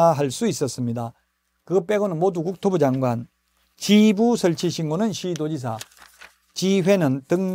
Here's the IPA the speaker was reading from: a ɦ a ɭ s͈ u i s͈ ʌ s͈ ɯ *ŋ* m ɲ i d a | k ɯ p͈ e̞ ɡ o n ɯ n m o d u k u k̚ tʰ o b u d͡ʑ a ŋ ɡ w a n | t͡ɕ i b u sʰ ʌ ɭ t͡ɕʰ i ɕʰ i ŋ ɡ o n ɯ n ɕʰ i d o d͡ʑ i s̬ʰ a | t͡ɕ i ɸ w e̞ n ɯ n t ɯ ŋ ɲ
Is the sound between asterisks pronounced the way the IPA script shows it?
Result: no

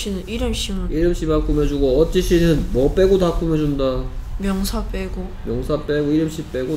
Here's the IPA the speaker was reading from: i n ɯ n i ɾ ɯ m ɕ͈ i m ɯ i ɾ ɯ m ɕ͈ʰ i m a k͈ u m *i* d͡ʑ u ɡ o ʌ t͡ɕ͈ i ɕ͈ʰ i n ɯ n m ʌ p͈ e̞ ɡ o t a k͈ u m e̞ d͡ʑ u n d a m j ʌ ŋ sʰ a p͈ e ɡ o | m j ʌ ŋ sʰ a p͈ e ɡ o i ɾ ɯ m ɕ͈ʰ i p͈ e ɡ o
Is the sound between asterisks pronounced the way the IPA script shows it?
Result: no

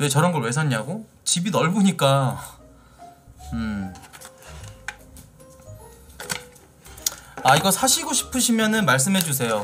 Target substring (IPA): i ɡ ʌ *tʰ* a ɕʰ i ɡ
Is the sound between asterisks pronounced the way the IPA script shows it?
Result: no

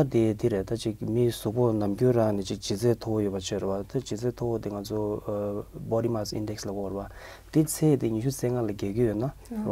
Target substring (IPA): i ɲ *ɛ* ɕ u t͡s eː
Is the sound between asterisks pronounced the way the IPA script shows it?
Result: no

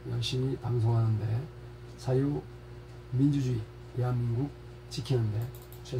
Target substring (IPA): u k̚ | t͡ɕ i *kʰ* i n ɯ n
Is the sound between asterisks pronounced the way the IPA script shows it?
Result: yes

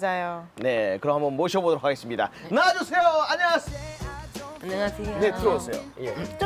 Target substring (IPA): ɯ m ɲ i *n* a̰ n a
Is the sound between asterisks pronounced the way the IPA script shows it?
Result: no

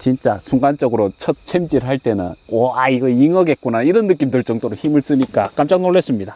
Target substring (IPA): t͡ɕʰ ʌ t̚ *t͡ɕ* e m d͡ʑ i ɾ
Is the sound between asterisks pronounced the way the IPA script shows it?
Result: no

